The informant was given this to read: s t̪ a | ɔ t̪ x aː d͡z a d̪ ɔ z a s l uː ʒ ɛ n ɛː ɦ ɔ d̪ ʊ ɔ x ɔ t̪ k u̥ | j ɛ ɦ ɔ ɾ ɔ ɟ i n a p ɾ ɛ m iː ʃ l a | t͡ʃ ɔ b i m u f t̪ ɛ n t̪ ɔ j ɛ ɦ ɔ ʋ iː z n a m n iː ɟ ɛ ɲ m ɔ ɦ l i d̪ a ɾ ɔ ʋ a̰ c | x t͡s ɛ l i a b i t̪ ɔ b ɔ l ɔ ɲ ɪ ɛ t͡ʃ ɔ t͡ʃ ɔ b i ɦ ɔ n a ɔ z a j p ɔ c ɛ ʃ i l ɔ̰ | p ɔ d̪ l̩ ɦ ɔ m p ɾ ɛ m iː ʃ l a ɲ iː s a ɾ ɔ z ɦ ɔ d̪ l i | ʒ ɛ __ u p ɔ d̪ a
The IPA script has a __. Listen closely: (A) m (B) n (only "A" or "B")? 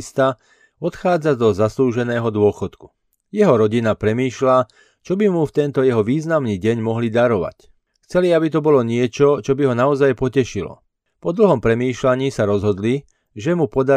A